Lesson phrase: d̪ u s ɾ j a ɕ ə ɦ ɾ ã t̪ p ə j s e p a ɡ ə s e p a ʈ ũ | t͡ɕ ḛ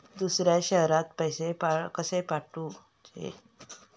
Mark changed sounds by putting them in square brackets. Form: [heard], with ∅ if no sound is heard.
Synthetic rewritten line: d̪ u s ɾ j a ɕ ə ɦ ɾ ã t̪ p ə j s e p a [k] ə s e p a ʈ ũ | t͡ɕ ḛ